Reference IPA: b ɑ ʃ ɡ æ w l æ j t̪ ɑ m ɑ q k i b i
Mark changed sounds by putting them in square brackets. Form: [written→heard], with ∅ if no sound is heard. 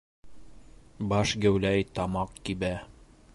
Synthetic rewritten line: b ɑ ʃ ɡ æ w l æ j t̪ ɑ m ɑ q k i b [i→æ]